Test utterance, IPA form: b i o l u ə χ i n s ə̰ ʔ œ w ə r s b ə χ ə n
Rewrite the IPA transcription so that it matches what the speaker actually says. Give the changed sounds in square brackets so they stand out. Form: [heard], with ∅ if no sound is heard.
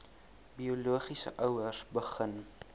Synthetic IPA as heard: b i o l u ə χ i [∅] s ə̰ ʔ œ w ə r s b ə χ ə n